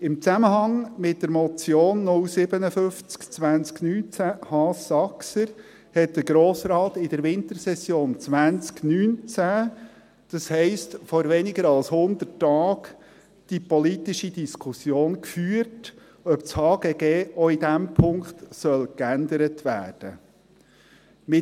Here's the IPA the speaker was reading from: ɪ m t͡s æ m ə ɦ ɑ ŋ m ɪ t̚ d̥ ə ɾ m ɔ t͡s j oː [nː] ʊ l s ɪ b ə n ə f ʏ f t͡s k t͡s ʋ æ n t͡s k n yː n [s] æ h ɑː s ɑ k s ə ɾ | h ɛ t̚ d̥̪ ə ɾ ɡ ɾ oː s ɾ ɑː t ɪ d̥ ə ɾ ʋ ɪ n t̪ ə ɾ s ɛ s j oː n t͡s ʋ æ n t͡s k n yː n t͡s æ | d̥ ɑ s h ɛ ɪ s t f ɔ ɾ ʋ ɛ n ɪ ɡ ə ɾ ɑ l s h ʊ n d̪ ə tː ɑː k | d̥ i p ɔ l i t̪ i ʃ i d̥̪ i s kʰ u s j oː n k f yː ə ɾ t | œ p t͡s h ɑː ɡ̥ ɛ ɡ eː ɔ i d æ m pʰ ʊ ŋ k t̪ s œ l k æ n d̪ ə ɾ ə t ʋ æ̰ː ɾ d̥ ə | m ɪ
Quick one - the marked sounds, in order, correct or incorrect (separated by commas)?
correct, incorrect